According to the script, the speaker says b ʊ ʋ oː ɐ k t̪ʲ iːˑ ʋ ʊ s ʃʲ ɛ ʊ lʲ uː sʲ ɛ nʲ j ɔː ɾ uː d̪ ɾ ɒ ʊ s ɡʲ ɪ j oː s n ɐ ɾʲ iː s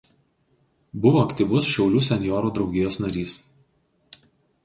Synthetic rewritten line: b ʊ ʋ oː ɐ k t̪ʲ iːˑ ʋ ʊ s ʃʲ ɛ ʊ lʲ uː sʲ ɛ nʲ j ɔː ɾ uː d̪ ɾ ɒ ʊ ɡʲ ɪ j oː s n ɐ ɾʲ iː s